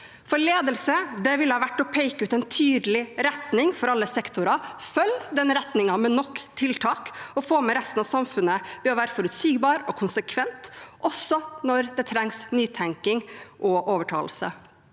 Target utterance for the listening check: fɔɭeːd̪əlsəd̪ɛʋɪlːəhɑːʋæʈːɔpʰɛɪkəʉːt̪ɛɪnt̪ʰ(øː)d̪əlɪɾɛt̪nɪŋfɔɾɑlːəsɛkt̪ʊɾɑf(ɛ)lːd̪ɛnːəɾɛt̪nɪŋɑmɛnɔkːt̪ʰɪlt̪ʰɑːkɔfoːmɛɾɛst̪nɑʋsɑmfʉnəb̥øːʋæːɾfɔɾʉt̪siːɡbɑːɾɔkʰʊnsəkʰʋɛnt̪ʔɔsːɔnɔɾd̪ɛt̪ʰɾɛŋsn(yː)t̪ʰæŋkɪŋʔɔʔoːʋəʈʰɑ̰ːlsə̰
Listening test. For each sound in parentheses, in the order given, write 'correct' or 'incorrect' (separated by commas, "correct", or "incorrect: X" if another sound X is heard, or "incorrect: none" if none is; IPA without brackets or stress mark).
incorrect: yː, incorrect: œ, correct